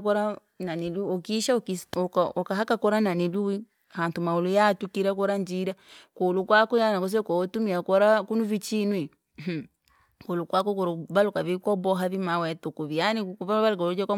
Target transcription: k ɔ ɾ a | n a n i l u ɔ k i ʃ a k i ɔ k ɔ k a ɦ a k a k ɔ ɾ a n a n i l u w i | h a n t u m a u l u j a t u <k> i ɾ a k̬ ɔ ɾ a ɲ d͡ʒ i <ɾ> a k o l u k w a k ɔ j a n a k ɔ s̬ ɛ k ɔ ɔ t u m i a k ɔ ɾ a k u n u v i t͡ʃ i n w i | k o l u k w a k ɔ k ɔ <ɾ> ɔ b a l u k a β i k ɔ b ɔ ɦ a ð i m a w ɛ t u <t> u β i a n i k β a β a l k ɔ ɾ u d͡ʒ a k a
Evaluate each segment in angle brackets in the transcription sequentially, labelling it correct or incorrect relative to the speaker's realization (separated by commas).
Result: correct, correct, correct, incorrect